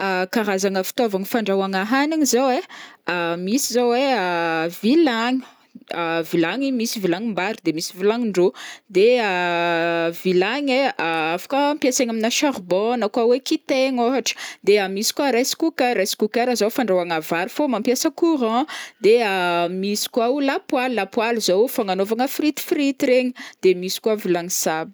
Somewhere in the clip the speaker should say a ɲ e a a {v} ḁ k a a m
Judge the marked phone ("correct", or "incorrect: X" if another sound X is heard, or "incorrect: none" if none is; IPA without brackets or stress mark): incorrect: f